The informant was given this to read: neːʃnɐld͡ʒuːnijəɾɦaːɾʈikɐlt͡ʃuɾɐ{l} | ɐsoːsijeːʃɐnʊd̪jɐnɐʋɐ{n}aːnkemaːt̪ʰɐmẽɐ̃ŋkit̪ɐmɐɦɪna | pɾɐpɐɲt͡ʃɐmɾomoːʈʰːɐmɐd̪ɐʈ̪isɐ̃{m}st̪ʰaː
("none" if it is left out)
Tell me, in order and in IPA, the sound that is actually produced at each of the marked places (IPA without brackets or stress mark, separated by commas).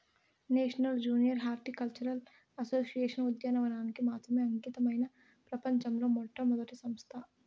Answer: l, n, m